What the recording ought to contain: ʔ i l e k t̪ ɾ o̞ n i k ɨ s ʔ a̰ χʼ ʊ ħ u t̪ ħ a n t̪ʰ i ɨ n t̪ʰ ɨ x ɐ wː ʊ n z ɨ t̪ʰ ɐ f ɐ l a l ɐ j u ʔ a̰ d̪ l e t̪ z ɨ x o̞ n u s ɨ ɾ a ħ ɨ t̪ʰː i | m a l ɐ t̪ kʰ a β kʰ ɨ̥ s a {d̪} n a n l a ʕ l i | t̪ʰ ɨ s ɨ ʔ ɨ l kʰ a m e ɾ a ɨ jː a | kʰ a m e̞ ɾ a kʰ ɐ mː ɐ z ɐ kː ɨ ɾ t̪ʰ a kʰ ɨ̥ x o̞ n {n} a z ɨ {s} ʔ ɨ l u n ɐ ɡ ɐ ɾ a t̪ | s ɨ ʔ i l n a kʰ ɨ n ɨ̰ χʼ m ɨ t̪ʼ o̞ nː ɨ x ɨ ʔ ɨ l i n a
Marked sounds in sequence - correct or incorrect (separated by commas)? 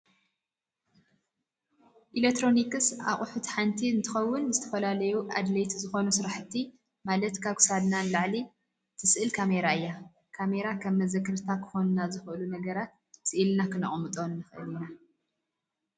correct, correct, incorrect